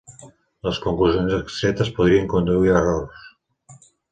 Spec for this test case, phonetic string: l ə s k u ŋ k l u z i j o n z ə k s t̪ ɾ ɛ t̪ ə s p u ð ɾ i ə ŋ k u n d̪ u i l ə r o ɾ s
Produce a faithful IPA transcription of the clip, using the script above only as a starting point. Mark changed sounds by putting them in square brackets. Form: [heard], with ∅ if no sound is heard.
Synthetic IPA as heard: l ə s k u ŋ k l u z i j o n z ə k s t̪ ɾ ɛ t̪ ə s p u ð ɾ i ə ŋ k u n d̪ u i [ɾ] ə r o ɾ s